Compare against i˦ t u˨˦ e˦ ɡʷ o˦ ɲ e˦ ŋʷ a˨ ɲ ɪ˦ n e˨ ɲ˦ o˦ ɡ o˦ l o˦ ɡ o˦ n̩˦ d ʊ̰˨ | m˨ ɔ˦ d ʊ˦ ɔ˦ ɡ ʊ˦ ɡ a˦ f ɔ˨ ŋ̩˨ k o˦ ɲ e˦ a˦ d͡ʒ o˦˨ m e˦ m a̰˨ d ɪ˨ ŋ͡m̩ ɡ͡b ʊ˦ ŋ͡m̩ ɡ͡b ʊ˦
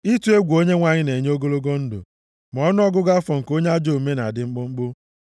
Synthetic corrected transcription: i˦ t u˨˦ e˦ ɡʷ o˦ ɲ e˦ ŋʷ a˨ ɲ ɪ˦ n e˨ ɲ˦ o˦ ɡ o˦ l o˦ ɡ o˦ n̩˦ d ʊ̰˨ | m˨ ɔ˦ n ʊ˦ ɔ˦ ɡ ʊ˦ ɡ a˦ f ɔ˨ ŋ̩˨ k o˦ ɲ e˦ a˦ d͡ʒ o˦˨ m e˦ n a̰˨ d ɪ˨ ŋ͡m̩ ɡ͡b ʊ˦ ŋ͡m̩ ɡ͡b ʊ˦